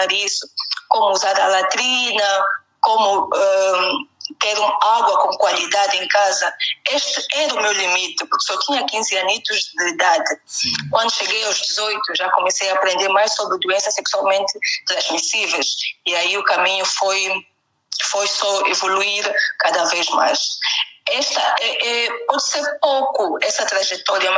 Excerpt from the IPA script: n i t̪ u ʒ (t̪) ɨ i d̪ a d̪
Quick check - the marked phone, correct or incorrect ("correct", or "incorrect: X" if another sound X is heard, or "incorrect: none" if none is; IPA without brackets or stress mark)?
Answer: incorrect: d̪